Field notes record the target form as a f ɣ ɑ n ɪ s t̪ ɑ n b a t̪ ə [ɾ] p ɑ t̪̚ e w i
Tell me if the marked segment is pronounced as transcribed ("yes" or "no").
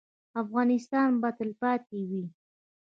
no